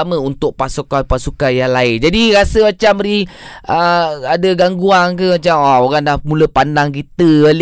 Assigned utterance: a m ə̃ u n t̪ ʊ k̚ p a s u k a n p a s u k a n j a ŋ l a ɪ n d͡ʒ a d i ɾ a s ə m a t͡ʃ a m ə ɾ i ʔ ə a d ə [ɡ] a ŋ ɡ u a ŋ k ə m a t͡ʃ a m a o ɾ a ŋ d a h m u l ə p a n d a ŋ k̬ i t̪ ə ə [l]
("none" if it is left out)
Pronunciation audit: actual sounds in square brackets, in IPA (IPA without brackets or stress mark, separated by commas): ɡ, l